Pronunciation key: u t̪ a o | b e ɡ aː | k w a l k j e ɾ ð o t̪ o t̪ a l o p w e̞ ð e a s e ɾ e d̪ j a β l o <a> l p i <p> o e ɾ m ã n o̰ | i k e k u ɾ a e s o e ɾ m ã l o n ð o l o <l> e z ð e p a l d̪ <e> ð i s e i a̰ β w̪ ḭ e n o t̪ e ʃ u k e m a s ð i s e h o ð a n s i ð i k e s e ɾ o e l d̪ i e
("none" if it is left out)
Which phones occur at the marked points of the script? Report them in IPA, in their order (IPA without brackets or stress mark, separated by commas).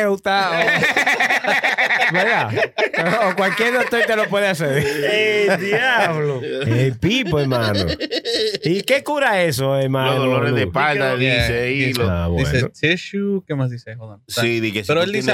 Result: e, p, ɾ, a